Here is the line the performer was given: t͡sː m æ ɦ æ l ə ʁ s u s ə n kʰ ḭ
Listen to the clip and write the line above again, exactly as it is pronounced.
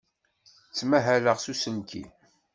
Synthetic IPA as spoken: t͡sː m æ ɦ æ l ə ʁ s u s ə n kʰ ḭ